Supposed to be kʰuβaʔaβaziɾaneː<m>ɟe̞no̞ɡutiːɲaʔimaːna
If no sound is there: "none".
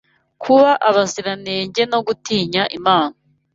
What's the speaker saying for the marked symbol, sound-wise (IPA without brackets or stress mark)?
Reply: ɲ